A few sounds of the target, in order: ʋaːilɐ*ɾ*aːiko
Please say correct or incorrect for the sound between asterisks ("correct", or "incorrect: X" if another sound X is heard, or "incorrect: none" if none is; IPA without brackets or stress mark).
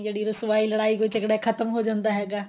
incorrect: ɽ